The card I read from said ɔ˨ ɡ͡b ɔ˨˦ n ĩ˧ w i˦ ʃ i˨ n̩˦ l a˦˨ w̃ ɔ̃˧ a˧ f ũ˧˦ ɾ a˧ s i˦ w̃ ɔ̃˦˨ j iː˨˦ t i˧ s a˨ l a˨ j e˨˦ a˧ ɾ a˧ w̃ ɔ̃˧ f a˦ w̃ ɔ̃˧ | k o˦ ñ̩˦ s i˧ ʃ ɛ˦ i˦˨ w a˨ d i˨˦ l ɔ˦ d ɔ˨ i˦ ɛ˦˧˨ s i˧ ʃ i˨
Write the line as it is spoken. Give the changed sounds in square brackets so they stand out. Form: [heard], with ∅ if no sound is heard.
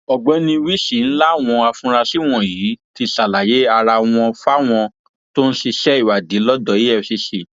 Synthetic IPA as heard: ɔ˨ ɡ͡b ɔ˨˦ n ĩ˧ w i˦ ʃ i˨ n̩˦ l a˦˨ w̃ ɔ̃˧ a˧ f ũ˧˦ ɾ a˧ s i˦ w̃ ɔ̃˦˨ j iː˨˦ t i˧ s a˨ l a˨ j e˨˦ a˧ ɾ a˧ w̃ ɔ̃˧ f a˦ w̃ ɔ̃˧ | [t] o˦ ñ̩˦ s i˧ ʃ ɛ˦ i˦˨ w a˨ d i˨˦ l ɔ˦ d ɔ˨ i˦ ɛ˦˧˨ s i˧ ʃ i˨